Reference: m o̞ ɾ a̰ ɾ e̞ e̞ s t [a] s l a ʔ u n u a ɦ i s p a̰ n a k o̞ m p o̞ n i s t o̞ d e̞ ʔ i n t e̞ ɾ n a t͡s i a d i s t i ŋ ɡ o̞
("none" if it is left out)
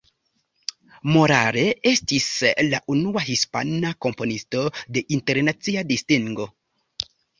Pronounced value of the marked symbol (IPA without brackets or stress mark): i